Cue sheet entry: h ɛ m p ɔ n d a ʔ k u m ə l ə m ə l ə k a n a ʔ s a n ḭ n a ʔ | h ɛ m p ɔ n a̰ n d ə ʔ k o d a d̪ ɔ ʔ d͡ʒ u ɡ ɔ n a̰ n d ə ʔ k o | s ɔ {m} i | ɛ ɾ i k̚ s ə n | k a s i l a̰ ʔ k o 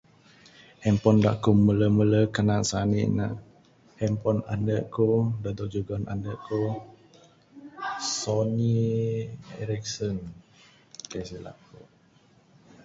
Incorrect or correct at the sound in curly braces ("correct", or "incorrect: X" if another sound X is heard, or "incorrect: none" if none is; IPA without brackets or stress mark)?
incorrect: n